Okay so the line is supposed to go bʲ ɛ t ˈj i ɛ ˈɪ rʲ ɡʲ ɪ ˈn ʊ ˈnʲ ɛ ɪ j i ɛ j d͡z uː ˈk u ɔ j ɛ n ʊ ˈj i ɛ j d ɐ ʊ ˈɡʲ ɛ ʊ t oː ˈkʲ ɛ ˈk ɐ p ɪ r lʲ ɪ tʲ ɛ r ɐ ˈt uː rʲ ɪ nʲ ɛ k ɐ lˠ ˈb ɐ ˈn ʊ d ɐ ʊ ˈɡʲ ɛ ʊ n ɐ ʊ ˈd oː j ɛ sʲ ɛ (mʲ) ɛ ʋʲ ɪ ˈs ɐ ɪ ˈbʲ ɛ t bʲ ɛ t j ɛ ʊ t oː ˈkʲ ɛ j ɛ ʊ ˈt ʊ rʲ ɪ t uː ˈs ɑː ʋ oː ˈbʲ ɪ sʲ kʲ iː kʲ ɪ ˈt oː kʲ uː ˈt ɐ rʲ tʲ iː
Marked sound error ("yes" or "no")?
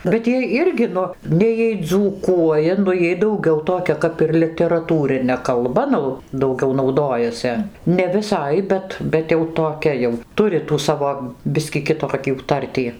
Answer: yes